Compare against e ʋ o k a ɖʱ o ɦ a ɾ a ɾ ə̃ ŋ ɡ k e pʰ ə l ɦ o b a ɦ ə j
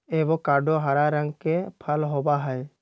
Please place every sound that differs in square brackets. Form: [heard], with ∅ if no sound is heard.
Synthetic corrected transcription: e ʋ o k a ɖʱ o ɦ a ɾ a ɾ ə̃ ŋ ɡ k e pʰ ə l ɦ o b a ɦ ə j